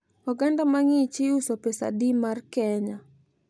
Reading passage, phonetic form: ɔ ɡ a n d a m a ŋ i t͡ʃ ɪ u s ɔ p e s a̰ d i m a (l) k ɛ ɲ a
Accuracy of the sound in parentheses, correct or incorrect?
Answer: incorrect: r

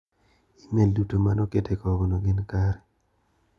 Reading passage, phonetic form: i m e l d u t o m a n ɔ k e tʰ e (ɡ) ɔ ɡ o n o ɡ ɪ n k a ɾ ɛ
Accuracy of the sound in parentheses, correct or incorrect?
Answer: incorrect: k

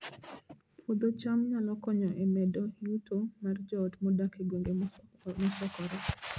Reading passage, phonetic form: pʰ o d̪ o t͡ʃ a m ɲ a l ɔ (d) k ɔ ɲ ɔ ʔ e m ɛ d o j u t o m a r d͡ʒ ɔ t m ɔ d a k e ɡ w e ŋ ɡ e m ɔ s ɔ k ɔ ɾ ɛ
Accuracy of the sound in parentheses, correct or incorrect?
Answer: incorrect: none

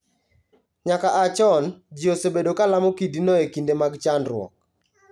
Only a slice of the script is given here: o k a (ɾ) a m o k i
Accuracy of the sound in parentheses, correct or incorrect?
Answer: incorrect: l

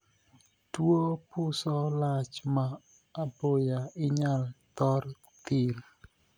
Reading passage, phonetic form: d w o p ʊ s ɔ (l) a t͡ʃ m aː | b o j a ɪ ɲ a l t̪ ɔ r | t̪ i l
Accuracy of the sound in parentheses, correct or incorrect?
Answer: correct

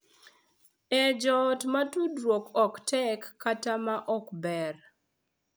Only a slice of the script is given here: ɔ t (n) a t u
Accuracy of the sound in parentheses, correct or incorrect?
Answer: incorrect: m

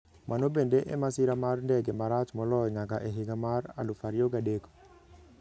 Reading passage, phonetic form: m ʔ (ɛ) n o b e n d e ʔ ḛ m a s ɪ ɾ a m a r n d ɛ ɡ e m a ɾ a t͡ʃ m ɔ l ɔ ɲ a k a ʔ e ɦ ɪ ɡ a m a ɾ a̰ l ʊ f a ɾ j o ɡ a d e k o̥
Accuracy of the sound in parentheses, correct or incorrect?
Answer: incorrect: a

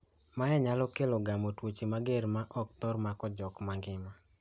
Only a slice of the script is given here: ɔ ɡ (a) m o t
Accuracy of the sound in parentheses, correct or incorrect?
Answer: correct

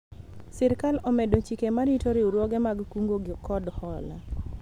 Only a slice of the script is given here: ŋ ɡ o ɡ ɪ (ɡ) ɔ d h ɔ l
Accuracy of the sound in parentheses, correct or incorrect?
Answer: incorrect: k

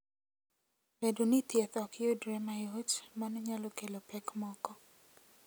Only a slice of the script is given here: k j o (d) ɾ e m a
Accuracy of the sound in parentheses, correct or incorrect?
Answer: correct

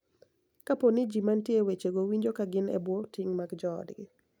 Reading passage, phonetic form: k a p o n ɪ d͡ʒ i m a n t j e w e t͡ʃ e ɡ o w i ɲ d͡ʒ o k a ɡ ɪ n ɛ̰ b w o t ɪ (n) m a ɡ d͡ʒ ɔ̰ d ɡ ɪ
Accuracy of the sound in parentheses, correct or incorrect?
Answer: incorrect: ŋ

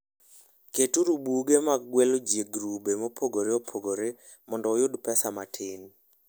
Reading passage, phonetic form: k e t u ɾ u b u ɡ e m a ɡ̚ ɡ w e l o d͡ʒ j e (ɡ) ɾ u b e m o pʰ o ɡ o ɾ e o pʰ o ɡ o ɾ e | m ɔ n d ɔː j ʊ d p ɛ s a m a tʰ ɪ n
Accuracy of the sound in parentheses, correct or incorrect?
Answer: correct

